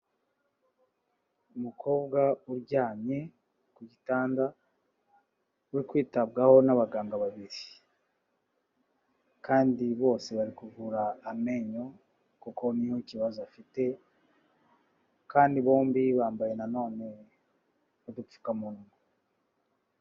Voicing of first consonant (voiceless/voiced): voiced